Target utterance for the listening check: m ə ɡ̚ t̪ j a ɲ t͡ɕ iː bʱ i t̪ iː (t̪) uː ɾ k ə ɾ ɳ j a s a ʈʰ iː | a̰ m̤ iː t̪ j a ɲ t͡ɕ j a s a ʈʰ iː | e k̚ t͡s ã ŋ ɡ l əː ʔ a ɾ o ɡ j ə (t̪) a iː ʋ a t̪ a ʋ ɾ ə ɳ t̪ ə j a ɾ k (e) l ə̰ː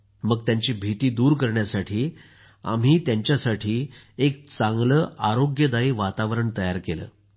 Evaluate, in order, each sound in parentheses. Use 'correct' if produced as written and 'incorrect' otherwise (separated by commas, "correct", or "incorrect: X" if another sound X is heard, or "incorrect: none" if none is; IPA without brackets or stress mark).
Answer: incorrect: d̪, incorrect: d̪, correct